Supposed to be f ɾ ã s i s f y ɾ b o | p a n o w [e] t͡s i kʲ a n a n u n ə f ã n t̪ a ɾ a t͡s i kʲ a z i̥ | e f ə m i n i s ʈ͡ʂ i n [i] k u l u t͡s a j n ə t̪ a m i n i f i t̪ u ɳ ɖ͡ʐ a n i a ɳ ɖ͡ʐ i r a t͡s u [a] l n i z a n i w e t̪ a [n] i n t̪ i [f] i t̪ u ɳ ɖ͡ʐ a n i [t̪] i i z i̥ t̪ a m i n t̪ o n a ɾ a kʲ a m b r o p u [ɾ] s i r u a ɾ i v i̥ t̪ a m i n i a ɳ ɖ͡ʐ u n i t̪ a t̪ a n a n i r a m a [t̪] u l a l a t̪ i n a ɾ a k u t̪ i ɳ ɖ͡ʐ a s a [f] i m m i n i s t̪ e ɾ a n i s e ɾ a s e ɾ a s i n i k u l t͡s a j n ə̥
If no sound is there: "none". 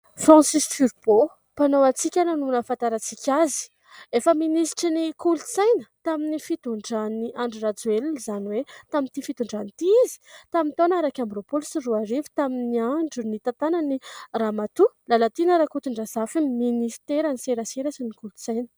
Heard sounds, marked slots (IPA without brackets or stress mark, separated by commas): a, i, e, m, f, t̪, l, t̪, f